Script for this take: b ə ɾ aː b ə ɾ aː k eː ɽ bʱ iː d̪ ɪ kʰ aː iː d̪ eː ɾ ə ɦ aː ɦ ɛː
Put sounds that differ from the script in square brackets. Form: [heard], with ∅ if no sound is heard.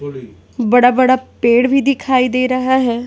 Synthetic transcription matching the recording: b ə [ɽ] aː b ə [ɽ] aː [p] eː ɽ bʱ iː d̪ ɪ kʰ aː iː d̪ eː ɾ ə ɦ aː ɦ ɛː